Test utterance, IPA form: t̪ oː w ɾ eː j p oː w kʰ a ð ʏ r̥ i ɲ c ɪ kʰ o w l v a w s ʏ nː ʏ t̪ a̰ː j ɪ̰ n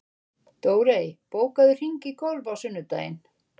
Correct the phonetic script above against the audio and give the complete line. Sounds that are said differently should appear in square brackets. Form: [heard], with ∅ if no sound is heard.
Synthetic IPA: t̪ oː w ɾ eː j p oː w [k] a ð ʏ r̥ i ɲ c ɪ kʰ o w l v a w s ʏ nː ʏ t̪ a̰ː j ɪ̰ n